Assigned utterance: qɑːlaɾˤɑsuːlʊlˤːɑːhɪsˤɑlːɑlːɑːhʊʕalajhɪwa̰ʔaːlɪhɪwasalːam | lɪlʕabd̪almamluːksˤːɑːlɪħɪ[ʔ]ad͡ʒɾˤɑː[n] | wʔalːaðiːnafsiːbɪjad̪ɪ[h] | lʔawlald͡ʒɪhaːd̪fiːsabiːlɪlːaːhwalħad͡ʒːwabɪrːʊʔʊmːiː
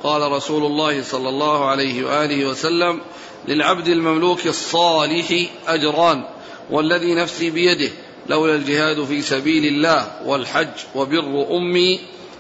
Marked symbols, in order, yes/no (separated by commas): yes, yes, yes